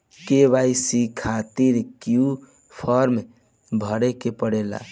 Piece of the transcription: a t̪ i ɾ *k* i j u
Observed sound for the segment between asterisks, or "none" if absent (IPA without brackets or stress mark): k